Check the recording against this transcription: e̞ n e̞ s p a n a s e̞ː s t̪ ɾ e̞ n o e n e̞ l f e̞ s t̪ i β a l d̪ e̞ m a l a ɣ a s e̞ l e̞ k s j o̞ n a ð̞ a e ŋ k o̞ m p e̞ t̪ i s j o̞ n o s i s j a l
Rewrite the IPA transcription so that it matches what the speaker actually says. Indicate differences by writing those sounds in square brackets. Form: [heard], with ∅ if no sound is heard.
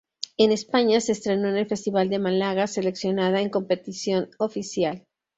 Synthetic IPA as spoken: e̞ n e̞ s p a [ɲ] a s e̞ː s t̪ ɾ e̞ n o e n e̞ l f e̞ s t̪ i β a l d̪ e̞ m a l a ɣ a s e̞ l e̞ k s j o̞ n a ð̞ a e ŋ k o̞ m p e̞ t̪ i s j o̞ n o [f] i s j a l